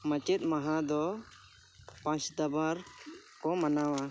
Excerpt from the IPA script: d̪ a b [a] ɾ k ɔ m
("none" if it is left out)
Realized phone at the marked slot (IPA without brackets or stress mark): a